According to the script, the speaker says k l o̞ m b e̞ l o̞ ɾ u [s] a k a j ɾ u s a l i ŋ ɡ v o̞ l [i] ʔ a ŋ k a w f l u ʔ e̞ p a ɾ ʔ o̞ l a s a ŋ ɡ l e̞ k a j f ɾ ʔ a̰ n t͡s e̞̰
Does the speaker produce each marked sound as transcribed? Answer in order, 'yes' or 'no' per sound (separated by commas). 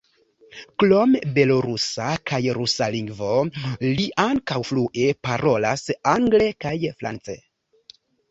yes, yes